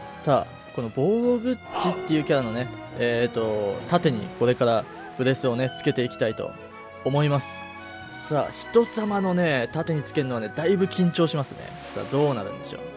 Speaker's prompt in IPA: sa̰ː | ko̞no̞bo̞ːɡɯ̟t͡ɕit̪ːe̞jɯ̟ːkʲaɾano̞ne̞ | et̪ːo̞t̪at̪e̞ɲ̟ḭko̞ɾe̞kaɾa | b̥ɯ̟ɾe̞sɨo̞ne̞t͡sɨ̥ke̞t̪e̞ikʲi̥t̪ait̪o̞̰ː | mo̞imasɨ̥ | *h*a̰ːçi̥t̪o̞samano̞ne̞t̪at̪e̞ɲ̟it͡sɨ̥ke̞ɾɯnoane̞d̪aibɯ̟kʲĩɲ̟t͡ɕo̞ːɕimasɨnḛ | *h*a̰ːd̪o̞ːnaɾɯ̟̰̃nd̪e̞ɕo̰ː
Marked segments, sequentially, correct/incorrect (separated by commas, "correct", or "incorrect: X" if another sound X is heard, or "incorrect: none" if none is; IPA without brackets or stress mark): incorrect: s, incorrect: s